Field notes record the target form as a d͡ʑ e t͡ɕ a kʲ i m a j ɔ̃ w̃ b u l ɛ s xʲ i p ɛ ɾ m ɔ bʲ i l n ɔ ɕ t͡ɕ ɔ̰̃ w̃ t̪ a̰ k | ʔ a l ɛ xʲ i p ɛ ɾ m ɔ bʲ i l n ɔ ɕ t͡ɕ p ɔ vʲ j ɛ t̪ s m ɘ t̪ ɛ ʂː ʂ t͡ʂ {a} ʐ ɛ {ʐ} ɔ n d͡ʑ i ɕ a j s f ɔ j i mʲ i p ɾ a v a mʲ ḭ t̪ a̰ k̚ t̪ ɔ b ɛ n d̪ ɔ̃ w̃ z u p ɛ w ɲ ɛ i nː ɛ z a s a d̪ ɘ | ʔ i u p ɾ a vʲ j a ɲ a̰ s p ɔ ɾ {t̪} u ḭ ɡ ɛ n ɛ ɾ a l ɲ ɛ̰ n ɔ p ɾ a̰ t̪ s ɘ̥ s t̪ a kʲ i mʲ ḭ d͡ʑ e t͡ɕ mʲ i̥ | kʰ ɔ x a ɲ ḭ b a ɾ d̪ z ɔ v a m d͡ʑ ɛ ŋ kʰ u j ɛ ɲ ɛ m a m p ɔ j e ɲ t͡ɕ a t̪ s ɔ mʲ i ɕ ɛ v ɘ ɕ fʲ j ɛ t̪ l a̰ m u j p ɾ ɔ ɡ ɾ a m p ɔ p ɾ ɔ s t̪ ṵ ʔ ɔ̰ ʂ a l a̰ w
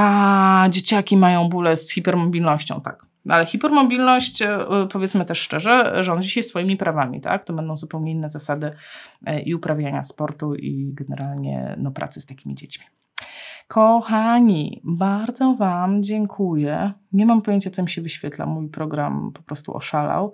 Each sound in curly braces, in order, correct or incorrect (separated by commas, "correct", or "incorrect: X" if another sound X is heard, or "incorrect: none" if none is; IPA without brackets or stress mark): incorrect: ɛ, correct, correct